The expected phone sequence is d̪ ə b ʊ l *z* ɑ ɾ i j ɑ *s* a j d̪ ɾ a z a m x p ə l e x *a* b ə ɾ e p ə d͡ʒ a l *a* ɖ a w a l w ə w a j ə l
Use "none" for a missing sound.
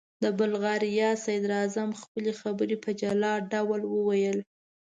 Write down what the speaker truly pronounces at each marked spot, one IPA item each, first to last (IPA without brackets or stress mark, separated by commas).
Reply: ɣ, s, a, ɑ